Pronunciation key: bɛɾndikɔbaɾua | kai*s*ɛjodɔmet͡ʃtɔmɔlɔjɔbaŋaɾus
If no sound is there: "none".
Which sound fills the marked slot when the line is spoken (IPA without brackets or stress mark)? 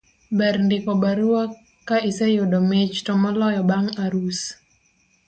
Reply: s